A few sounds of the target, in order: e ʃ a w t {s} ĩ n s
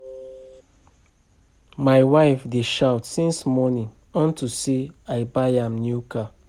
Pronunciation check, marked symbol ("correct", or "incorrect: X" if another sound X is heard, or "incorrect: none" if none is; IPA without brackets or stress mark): correct